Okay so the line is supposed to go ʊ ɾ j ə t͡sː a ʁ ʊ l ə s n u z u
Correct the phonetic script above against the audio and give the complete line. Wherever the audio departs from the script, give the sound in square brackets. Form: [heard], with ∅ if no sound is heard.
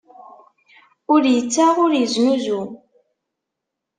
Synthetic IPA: ʊ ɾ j ə t͡sː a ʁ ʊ [ɾ] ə [z] n u z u